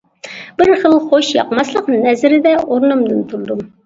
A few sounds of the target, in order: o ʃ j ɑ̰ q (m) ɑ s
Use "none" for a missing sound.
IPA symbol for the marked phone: m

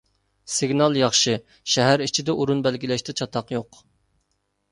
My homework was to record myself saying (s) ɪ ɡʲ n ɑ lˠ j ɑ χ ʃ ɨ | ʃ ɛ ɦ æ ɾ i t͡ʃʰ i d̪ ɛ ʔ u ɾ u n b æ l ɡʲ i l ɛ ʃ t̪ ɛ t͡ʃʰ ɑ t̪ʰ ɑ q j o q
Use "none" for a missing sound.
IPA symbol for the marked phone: s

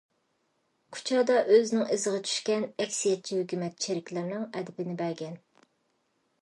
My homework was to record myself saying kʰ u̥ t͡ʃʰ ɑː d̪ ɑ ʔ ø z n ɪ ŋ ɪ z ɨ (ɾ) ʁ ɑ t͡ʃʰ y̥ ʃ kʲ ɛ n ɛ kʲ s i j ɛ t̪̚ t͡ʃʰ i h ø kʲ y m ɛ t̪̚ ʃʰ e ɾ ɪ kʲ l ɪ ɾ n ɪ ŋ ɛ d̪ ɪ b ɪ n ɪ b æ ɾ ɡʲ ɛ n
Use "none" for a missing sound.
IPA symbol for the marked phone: none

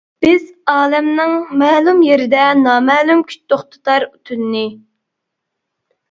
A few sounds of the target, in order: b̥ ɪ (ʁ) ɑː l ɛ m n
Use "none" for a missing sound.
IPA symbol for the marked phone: z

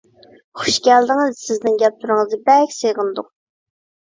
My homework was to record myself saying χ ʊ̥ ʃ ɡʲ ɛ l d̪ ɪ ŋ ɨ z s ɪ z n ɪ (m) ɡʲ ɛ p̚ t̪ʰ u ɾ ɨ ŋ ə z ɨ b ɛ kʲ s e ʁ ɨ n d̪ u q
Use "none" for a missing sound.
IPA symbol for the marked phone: ŋ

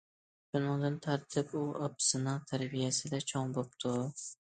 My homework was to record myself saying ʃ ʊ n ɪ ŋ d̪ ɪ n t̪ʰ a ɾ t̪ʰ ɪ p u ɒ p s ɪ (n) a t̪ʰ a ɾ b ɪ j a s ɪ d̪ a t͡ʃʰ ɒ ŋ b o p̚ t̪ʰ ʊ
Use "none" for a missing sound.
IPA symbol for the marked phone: n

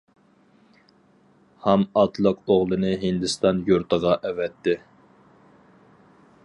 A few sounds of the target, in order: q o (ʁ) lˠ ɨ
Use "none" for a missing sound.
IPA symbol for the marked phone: ʁ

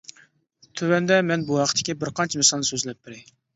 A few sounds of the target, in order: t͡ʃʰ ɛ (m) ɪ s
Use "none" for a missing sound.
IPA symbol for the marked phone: m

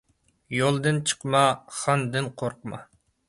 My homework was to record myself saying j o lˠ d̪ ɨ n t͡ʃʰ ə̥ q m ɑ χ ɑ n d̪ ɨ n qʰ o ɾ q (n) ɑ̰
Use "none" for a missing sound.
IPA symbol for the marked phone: m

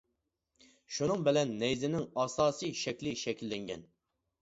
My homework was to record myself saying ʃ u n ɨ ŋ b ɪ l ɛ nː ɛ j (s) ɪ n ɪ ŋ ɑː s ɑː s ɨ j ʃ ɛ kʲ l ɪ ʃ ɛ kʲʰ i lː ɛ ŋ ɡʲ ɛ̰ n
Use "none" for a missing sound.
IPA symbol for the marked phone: z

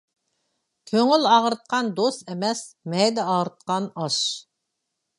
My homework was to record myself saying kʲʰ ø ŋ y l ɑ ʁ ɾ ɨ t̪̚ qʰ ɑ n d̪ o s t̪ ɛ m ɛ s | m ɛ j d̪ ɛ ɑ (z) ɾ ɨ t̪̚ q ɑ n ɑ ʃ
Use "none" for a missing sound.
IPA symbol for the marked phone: ʁ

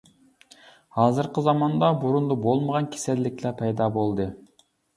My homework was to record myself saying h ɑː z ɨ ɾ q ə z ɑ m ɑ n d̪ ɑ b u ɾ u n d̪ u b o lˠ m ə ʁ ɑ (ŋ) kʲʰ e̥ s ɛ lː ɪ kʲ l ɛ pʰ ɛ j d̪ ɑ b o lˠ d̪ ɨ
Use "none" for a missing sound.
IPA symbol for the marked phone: n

